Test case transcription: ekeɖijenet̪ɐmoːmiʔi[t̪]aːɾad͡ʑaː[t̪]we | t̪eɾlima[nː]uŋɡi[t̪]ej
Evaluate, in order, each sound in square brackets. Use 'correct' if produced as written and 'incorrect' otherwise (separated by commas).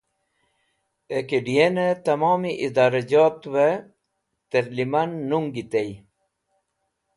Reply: incorrect, correct, correct, correct